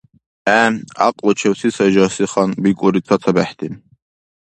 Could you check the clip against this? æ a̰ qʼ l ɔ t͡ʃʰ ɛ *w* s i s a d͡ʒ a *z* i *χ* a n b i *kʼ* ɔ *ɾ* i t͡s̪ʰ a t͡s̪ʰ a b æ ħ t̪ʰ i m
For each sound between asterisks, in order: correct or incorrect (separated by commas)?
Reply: correct, incorrect, correct, correct, correct